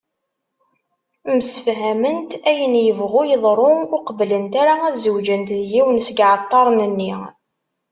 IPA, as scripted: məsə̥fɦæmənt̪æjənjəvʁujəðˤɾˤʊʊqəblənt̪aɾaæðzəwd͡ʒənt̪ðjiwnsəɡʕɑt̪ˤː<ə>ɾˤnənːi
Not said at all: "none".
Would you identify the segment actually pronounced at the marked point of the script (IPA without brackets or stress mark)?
ɑ